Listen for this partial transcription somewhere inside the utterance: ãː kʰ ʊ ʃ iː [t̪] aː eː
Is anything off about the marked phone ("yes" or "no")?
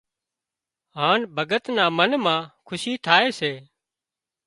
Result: yes